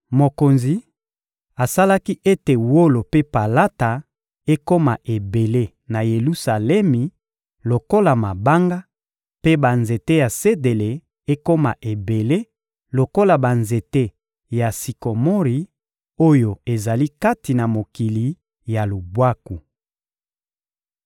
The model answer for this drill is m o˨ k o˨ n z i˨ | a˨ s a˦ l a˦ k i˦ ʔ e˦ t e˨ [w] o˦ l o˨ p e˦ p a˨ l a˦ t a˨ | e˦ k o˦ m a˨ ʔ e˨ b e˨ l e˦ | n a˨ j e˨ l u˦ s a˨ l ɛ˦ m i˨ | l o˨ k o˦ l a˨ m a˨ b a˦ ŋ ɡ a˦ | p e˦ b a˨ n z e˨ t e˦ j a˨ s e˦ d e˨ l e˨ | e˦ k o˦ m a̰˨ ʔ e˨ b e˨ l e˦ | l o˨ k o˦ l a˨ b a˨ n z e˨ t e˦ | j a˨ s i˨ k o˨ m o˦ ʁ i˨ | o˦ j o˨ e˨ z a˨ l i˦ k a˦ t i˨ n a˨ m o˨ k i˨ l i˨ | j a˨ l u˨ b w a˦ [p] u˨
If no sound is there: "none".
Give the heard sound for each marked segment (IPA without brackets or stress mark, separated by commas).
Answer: w, k